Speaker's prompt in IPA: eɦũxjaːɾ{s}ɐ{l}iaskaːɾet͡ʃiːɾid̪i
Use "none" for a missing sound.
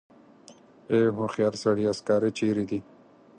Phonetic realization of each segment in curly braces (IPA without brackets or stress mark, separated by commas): s, ɽ